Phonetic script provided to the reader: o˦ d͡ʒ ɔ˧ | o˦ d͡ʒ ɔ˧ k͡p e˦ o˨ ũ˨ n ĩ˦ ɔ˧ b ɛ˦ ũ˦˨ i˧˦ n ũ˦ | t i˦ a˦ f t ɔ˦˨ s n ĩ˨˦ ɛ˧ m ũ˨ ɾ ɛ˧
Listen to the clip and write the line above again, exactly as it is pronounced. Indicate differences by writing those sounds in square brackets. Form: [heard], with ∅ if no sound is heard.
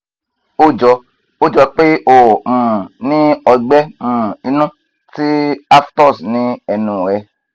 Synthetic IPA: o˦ d͡ʒ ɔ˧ | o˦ d͡ʒ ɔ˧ k͡p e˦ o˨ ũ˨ n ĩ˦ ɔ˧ [ɡ͡b] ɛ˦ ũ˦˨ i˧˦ n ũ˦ | t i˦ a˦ f t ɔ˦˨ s n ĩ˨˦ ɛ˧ [n] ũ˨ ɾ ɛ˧